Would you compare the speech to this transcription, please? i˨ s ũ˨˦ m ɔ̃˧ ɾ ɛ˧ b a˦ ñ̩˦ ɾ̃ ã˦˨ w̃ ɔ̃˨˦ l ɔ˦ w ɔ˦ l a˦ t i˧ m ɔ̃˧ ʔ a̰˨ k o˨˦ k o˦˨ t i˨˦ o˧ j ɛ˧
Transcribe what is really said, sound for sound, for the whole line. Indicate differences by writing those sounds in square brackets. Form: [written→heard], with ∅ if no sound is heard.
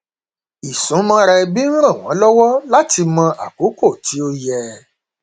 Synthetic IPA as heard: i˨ s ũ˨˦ m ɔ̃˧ ɾ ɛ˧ b [a˦→i˦] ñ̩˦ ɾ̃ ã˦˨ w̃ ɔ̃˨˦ l ɔ˦ w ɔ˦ l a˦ t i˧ m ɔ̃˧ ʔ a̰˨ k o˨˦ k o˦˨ t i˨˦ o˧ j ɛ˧

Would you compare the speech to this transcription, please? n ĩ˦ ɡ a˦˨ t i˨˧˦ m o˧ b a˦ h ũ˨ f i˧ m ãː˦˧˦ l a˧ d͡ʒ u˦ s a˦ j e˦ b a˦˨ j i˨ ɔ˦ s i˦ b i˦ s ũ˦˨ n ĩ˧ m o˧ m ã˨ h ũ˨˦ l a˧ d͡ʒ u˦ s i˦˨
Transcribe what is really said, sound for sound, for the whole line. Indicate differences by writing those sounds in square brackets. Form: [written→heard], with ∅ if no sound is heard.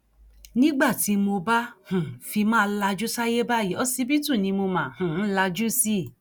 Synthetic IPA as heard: n ĩ˦ [ɡ→ɡ͡b] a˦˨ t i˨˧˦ m o˧ b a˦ h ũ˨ f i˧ m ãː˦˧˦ l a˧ d͡ʒ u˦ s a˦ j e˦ b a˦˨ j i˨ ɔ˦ s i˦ b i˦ [s→t] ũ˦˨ n ĩ˧ m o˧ m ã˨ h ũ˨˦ l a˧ d͡ʒ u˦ s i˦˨

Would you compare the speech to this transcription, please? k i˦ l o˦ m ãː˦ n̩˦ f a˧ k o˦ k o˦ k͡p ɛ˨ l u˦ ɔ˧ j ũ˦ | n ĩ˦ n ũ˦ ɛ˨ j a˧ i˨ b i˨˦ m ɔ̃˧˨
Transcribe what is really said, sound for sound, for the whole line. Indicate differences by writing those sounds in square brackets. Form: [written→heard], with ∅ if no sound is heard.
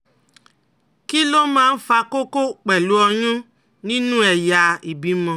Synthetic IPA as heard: k i˦ l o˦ m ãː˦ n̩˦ f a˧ k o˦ k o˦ k͡p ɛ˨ l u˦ ɔ˧ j ũ˦ | n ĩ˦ n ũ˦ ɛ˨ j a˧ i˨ b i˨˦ m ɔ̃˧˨

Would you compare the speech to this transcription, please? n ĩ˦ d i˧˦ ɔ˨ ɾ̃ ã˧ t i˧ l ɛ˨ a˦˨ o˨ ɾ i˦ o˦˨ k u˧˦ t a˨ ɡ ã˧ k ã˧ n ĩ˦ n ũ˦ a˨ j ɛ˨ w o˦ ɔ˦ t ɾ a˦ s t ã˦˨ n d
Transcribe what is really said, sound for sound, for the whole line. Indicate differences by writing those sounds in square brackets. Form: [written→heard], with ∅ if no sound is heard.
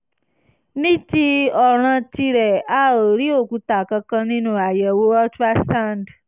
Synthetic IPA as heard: n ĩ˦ [d→t] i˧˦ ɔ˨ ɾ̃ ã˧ t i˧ [l→ɾ] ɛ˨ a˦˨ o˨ ɾ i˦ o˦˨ k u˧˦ t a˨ [ɡ→k] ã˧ k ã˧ n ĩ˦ n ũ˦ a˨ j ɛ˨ w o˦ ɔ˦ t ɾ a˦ s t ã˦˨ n d

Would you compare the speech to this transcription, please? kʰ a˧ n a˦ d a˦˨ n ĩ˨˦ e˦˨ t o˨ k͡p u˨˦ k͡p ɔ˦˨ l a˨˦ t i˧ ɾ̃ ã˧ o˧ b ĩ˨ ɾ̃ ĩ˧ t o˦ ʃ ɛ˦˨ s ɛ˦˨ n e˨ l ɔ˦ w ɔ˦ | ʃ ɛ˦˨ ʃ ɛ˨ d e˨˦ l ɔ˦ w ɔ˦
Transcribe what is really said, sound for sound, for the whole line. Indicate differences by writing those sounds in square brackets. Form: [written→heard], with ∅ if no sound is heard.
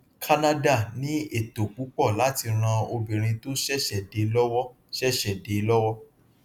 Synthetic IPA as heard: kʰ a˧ n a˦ d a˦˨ n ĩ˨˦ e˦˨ t o˨ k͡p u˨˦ k͡p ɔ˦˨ l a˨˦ t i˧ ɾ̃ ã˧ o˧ b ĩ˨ ɾ̃ ĩ˧ t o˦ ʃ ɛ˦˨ [s→ʃ] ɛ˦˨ [n→d] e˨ l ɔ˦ w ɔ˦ | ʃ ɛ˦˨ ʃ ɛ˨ d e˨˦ l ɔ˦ w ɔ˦

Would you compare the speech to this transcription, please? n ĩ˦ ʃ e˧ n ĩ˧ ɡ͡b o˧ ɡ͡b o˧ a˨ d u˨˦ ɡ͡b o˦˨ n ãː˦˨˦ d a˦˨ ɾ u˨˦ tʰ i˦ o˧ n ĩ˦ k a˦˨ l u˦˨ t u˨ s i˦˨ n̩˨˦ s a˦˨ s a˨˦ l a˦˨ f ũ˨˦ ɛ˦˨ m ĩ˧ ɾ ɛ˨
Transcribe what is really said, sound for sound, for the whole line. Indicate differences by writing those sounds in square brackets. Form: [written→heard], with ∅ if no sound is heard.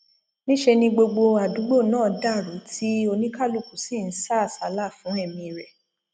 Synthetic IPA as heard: n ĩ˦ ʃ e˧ n ĩ˧ ɡ͡b o˧ ɡ͡b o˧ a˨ d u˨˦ ɡ͡b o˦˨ n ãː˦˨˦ d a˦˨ ɾ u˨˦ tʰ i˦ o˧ n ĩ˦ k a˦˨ l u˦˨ [t→k] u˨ s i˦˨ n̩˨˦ s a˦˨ s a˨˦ l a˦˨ f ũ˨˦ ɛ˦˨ m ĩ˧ ɾ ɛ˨

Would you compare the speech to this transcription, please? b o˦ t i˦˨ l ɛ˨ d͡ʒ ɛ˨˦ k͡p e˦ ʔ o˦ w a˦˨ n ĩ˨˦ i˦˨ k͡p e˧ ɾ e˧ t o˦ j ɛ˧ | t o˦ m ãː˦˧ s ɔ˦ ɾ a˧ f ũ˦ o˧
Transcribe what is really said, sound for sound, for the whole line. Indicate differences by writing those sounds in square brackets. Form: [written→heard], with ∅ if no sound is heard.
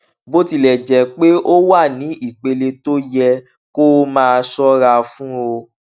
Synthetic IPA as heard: b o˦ t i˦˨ l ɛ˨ d͡ʒ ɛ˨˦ k͡p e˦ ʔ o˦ w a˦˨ n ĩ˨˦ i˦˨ k͡p e˧ [ɾ→l] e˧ t o˦ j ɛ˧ | [t→k] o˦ m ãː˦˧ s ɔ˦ ɾ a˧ f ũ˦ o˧

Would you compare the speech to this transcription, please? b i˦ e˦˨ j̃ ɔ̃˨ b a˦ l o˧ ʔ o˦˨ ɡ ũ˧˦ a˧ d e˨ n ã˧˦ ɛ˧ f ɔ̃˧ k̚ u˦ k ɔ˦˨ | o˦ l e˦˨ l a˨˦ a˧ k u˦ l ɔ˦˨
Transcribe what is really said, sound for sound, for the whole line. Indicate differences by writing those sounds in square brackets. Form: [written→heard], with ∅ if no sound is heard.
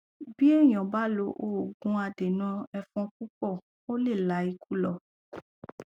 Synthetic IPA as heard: b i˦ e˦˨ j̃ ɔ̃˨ b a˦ l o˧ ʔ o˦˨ ɡ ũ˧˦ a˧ d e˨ n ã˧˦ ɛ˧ f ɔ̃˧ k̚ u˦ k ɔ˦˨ | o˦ l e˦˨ l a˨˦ [a˧→i˧] k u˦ l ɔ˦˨

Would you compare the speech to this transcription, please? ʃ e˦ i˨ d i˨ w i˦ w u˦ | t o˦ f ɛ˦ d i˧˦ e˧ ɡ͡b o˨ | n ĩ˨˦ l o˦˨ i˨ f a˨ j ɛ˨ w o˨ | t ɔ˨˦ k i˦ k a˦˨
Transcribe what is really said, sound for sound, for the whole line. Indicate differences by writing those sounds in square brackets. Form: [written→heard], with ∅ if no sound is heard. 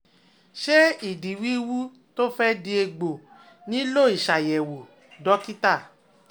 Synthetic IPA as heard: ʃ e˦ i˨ d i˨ w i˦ w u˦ | t o˦ f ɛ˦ d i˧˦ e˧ ɡ͡b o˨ | n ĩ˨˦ l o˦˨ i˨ [f→ʃ] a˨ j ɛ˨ w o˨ | [t→d] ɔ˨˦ k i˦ [k→t] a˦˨

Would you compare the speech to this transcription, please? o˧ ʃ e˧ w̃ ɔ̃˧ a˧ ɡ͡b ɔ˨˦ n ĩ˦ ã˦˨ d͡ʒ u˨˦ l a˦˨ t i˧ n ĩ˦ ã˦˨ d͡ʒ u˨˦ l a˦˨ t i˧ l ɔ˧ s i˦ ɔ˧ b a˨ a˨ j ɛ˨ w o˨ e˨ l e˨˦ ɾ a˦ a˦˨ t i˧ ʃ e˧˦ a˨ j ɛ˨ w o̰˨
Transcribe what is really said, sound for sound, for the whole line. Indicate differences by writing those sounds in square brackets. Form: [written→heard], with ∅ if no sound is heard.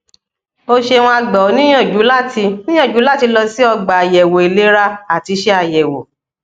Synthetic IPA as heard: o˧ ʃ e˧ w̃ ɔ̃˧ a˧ ɡ͡b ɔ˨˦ n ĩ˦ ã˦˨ d͡ʒ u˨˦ l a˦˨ t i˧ n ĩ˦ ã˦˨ d͡ʒ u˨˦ l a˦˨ t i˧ l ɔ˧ s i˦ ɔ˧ [b→ɡ͡b] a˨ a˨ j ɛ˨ w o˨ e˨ l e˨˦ ɾ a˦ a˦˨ t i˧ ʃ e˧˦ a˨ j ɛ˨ w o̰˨

